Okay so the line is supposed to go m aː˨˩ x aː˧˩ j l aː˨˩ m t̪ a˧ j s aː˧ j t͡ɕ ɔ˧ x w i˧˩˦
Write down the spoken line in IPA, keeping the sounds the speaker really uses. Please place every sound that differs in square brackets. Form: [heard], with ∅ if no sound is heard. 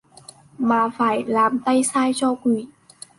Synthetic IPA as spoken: m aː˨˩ [f] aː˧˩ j l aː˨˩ m t̪ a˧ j s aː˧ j t͡ɕ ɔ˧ [k] w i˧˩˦